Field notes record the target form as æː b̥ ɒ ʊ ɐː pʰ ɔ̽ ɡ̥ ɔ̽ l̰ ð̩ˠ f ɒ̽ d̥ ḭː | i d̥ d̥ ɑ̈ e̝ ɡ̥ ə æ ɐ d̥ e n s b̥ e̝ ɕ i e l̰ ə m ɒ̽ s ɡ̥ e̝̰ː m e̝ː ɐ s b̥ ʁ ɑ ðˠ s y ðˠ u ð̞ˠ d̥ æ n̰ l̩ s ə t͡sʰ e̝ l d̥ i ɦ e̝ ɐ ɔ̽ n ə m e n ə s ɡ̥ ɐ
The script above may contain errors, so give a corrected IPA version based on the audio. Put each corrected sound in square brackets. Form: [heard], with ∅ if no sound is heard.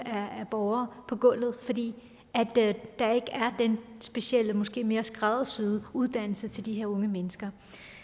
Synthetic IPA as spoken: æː b̥ ɒ ʊ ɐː pʰ [ɒ̽] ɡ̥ ɔ̽ l̰ ð̩ˠ f ɒ̽ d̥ ḭː | [æ] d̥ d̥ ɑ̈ e̝ ɡ̥ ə æ ɐ d̥ e n s b̥ e̝ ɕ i e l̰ ə m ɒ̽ s ɡ̥ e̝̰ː m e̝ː ɐ s [ɡ̥] ʁ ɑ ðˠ s y ðˠ u ð̞ˠ d̥ æ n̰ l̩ s ə t͡sʰ e̝ l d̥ i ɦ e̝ ɐ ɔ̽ [ŋ] ə m e n ə s ɡ̥ ɐ